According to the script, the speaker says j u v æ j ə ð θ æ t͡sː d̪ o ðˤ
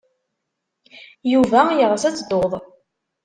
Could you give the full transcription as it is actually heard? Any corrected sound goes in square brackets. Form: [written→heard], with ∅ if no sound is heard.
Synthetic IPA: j u v æ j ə [ð→ʁ] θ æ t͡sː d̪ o ðˤ